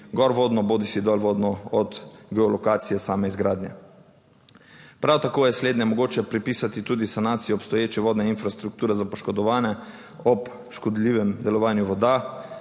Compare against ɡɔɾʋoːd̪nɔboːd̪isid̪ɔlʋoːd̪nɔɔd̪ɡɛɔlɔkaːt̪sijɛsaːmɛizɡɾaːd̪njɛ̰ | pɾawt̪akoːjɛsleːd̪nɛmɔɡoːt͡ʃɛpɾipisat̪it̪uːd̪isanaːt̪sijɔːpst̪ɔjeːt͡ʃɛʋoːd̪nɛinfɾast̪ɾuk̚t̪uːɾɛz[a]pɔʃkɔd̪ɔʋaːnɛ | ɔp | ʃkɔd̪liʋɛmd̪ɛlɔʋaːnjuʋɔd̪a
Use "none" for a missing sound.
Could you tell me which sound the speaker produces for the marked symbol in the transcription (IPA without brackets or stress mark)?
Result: a